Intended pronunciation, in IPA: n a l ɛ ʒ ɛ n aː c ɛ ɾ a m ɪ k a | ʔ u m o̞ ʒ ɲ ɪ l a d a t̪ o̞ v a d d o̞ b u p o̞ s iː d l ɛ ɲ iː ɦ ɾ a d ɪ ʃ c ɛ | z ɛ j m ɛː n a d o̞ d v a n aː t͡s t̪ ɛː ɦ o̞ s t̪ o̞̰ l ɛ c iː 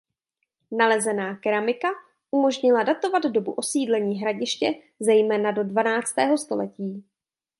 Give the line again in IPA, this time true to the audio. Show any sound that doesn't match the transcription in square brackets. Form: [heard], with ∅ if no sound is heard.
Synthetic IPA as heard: n a l ɛ [z] ɛ n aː [k] ɛ ɾ a m ɪ k a | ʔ u m o̞ ʒ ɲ ɪ l a d a t̪ o̞ v a d d o̞ b u [ʔ] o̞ s iː d l ɛ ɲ iː ɦ ɾ a [ɟ] ɪ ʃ c ɛ | z ɛ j m ɛː n a d o̞ d v a n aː t͡s t̪ ɛː ɦ o̞ s t̪ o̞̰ l ɛ c iː